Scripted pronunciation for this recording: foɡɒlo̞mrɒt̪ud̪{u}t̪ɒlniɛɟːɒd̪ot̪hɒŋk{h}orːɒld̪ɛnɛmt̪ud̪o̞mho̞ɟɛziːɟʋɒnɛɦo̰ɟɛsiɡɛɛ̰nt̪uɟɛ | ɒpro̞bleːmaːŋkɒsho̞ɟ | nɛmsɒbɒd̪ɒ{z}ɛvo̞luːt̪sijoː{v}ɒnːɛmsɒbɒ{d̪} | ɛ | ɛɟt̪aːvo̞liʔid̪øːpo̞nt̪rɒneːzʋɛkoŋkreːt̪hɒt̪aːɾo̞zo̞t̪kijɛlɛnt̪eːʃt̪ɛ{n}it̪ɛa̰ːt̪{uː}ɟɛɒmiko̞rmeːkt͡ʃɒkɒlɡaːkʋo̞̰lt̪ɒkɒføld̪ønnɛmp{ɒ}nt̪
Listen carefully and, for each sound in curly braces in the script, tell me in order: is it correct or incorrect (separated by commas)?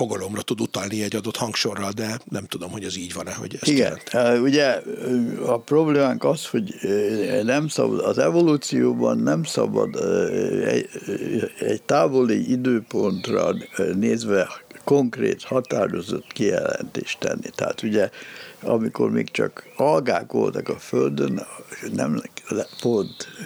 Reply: correct, incorrect, correct, incorrect, correct, incorrect, incorrect, incorrect